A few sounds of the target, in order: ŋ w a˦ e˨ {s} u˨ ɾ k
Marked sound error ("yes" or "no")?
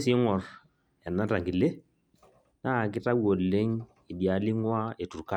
yes